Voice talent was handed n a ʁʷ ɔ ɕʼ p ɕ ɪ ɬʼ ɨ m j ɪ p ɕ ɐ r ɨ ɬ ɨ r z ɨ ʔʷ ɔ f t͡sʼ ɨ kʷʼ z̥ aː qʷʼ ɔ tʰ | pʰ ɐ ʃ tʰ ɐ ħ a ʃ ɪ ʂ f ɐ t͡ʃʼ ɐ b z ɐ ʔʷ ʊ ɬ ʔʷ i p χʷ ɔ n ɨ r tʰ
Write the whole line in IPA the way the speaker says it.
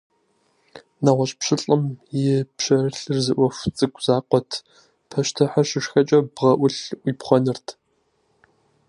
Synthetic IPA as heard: n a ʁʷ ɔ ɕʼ p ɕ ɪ ɬʼ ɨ m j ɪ p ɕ ɐ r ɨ ɬ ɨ r z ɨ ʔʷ ɔ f t͡sʼ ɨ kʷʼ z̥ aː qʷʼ ɔ tʰ | pʰ ɐ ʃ tʰ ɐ ħ a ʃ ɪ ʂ x ɐ t͡ʃʼ ɐ b ʁ ɐ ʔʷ ʊ ɬ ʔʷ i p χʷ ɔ n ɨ r tʰ